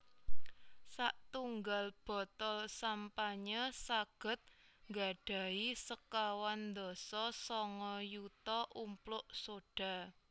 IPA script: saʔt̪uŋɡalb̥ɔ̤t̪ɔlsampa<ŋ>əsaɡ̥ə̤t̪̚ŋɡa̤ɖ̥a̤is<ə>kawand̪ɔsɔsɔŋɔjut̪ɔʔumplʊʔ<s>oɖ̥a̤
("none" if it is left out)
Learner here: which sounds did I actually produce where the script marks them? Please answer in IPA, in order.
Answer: ɲ, ə, s

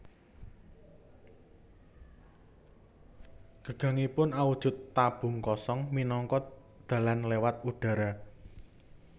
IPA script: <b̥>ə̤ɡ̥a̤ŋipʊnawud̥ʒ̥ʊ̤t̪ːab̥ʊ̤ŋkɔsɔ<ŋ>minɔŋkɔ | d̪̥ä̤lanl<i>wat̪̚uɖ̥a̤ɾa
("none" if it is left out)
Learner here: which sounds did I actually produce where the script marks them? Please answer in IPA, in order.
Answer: ɡ̥, ŋ, e

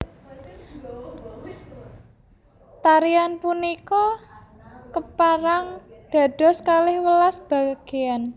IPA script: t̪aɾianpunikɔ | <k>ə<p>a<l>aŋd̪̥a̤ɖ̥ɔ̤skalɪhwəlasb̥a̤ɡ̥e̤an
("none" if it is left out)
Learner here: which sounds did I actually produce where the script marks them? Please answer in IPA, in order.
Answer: k, p, ɾ

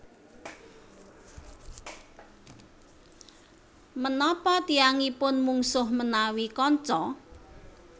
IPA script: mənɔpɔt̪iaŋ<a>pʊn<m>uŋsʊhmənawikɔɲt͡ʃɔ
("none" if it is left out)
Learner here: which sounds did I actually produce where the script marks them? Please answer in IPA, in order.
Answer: i, m

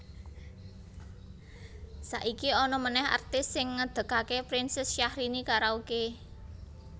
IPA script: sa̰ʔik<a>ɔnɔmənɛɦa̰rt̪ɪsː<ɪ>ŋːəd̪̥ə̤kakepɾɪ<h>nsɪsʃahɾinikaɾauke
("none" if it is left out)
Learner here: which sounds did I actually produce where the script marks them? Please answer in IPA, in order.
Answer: i, ɪ, none

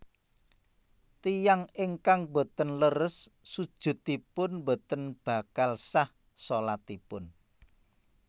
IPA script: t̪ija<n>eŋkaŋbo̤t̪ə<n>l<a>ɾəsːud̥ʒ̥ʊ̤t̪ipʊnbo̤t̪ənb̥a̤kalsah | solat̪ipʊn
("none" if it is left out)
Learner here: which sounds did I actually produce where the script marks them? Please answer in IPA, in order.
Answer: ŋ, n, ə

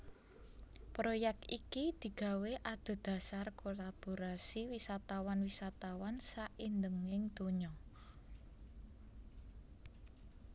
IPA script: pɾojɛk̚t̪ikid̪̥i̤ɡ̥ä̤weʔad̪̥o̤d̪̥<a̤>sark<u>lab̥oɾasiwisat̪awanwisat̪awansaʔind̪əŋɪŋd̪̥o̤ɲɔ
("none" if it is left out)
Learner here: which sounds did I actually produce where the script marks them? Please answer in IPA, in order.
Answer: a̤, o

